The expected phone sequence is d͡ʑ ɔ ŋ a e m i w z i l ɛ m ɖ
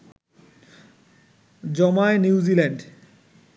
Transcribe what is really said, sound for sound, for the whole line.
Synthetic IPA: d͡ʑ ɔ m a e n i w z i l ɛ ɳ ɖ